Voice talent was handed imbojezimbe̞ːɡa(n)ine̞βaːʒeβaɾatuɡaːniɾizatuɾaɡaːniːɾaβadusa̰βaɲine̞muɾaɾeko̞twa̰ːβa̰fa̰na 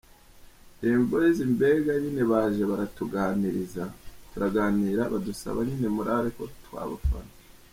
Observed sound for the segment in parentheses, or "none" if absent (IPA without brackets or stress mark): ɲ